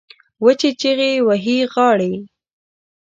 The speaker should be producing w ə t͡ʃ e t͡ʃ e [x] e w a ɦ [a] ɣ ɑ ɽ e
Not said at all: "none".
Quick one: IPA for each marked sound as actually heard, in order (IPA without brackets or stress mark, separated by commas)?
ɣ, i